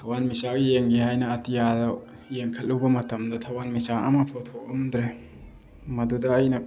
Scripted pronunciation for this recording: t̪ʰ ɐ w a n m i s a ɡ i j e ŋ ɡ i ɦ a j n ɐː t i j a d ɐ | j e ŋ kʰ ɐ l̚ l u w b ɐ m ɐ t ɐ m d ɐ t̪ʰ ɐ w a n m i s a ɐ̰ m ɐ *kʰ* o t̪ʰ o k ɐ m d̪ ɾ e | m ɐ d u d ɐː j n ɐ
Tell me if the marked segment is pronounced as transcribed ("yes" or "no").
no